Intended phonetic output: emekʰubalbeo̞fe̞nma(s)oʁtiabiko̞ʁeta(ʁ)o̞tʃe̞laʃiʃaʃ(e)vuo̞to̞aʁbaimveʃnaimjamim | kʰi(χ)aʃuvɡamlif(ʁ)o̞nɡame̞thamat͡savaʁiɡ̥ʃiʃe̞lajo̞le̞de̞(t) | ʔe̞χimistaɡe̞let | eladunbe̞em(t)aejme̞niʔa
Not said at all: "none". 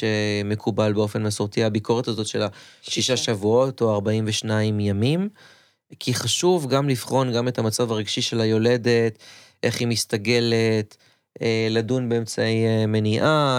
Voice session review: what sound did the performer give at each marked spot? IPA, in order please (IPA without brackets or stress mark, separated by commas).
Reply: s, z, a, χ, χ, t, t͡s